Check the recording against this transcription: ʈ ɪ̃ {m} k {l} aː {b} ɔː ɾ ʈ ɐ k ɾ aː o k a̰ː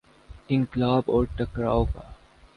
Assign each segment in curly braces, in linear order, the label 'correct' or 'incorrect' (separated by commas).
incorrect, correct, correct